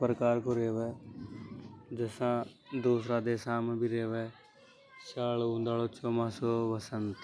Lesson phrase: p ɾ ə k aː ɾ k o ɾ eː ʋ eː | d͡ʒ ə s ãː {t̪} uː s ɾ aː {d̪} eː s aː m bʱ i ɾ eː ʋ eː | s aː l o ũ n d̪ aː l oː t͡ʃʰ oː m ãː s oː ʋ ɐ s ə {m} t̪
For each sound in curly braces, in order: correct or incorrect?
incorrect: d̪, correct, incorrect: n

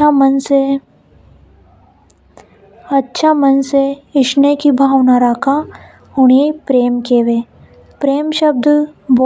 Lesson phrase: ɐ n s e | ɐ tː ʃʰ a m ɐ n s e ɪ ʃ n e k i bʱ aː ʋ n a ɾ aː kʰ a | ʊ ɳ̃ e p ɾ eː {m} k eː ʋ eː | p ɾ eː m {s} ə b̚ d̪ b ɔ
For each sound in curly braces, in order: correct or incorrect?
correct, incorrect: ʃ

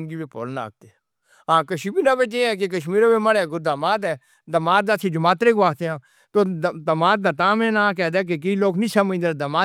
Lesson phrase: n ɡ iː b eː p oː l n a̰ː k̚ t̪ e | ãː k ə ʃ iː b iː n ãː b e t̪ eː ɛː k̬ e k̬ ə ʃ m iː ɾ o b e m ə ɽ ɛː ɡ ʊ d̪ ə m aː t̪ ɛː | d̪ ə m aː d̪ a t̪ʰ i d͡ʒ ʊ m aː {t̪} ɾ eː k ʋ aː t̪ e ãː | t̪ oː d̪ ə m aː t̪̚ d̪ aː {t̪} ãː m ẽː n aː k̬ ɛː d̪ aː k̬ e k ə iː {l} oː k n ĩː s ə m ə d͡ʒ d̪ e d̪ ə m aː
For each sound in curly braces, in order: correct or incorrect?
correct, correct, correct

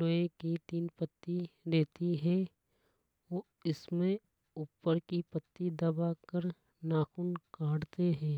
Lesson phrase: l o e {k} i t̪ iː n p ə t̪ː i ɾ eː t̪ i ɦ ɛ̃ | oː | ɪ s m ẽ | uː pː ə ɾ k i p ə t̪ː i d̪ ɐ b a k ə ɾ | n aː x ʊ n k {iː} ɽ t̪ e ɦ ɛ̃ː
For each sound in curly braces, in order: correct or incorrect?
correct, incorrect: aː

